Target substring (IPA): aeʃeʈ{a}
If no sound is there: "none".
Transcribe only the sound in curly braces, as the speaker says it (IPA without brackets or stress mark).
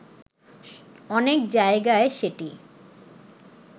i